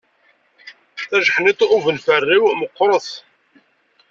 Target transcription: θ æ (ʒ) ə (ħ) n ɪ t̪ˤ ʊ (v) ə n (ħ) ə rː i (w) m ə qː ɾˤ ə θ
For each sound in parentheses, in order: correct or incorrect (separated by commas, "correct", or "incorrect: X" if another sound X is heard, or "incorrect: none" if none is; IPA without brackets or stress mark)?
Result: correct, correct, correct, incorrect: f, correct